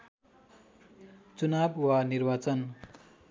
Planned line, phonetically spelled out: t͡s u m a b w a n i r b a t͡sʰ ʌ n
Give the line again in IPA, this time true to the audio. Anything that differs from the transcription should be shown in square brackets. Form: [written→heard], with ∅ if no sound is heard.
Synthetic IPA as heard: t͡s u [m→n] a b w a n i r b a [t͡sʰ→t͡s] ʌ n